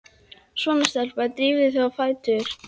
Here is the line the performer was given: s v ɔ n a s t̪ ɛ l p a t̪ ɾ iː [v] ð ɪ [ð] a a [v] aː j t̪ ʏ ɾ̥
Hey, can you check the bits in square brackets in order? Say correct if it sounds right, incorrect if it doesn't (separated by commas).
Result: correct, incorrect, incorrect